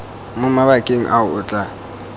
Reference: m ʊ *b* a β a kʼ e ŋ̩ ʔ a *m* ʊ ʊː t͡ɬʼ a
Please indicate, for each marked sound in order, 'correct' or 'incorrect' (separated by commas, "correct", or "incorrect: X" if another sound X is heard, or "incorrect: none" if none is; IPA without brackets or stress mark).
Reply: incorrect: m, incorrect: none